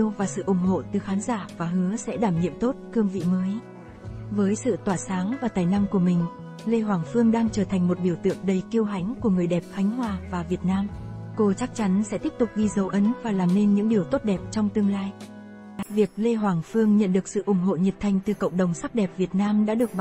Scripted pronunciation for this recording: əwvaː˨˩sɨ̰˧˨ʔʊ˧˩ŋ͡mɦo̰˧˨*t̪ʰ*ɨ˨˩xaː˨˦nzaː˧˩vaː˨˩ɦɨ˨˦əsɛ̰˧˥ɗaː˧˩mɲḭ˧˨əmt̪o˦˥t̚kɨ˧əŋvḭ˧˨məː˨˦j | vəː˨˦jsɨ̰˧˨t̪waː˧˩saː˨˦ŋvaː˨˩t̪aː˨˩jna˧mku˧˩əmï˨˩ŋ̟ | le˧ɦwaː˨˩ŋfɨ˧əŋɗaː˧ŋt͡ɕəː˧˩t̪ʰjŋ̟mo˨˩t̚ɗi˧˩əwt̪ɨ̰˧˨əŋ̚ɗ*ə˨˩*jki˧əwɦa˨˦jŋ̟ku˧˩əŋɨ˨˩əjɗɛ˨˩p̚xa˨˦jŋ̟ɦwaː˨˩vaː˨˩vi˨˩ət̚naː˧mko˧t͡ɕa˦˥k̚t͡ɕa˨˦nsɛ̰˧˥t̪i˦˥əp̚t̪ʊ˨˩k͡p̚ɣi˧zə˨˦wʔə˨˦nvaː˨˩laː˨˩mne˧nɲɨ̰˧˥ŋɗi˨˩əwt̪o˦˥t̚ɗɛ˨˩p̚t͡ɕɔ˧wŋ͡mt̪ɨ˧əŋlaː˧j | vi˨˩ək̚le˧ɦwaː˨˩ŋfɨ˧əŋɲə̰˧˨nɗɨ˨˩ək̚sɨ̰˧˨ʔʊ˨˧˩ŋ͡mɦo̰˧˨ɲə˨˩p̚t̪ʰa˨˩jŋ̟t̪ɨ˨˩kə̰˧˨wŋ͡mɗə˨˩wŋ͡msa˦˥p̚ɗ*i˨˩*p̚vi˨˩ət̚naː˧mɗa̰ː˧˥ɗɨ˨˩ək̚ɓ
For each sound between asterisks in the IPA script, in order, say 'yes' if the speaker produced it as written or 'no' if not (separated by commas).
no, yes, no